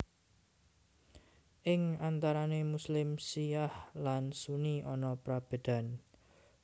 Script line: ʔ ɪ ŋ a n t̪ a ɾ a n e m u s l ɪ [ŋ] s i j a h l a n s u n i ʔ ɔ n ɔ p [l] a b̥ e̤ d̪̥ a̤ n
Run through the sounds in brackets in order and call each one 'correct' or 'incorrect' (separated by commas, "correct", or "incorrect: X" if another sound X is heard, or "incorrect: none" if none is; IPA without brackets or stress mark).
incorrect: m, incorrect: ɾ